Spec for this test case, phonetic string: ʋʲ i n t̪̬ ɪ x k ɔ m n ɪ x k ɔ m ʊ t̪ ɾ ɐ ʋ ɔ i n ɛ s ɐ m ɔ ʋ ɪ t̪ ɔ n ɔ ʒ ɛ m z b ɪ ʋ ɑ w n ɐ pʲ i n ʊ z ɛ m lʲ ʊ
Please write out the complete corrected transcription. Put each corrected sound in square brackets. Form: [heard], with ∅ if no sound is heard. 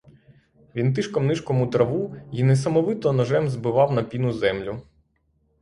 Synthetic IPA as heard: ʋʲ i n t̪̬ ɪ [ʃ] k ɔ m n ɪ [ʃ] k ɔ m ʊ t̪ ɾ ɐ ʋ [u] i n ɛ s ɐ m ɔ ʋ ɪ t̪ ɔ n ɔ ʒ ɛ m z b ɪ ʋ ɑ w n ɐ pʲ i n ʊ z ɛ m lʲ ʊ